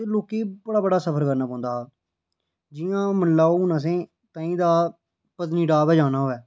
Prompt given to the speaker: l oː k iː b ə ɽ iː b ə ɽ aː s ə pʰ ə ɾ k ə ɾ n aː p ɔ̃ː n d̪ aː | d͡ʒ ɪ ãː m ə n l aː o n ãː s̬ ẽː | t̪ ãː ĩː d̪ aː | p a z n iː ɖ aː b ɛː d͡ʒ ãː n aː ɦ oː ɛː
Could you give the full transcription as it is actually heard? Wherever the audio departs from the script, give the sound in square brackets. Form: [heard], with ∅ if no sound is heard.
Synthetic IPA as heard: l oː k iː b ə ɽ [aː] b ə ɽ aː s ə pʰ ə ɾ k ə ɾ n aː p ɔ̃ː n d̪ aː | d͡ʒ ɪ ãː m ə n l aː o n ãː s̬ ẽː | t̪ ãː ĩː d̪ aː | p [ə] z n iː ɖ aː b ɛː d͡ʒ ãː n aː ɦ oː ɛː